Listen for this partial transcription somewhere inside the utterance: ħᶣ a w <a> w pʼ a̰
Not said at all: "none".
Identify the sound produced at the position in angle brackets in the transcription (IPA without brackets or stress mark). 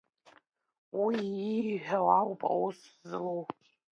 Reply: a